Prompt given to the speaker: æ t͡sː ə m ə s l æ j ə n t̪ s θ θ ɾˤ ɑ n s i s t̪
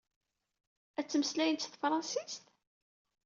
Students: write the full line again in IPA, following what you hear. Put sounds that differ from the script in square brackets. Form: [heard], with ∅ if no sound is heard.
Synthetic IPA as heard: æ t͡sː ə m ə s l æ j ə n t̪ s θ [f] ɾˤ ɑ n s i s t̪